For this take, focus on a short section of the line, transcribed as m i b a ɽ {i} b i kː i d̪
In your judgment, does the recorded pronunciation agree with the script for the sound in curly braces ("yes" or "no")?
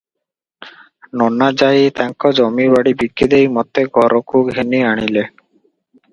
yes